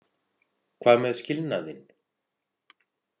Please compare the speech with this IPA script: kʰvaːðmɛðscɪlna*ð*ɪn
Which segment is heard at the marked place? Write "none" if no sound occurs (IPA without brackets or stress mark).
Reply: ð